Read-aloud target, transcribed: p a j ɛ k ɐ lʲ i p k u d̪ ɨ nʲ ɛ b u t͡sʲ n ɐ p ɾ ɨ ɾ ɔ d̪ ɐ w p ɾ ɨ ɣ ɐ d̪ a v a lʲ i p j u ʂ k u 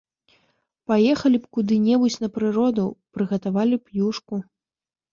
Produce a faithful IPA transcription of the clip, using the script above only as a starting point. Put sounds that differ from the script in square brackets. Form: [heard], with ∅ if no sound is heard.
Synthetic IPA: p a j ɛ [x] ɐ lʲ i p k u d̪ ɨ nʲ ɛ b u t͡sʲ n ɐ p ɾ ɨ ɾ ɔ d̪ ɐ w p ɾ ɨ ɣ ɐ [t̪] a v a lʲ i p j u ʂ k u